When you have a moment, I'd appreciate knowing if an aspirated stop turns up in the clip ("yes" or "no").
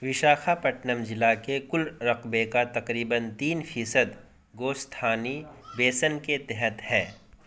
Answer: yes